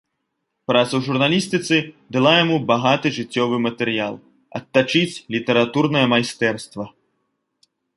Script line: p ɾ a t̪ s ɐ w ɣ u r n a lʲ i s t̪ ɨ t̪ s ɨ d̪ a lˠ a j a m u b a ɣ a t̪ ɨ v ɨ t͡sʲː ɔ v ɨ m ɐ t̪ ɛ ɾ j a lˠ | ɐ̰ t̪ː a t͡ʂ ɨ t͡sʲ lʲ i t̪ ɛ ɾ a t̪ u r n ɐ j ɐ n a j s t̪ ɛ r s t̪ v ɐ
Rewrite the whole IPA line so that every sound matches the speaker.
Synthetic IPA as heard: p ɾ a t̪ s ɐ w ʐ u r n a lʲ i s t̪ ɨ t̪ s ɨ d̪ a lˠ a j a m u b a ɣ a t̪ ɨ ʐ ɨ t͡sʲː ɔ v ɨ m ɐ t̪ ɛ ɾ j a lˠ | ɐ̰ t̪ː a t͡ʂ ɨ t͡sʲ lʲ i t̪ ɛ ɾ a t̪ u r n ɐ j ɐ m a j s t̪ ɛ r s t̪ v ɐ